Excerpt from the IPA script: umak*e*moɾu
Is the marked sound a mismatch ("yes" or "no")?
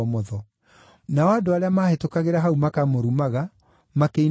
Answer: yes